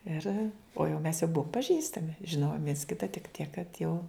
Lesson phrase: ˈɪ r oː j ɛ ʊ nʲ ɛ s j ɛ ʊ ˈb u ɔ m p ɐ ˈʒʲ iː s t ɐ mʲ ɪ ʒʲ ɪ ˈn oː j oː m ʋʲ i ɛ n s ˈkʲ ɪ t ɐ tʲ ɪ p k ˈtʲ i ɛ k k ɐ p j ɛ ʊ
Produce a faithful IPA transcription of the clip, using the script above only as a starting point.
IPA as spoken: ˈɪ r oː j ɛ ʊ mʲ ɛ s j ɛ ʊ ˈb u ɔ m p ɐ ˈʒʲ iː s t ɐ mʲ ɪ ʒʲ ɪ ˈn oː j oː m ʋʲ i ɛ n s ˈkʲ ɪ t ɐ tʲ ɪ k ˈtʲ i ɛ k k ɐ t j ɛ ʊ